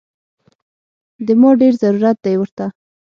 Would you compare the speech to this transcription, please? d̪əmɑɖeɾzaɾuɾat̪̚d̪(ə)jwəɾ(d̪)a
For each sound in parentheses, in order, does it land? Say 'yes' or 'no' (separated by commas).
no, no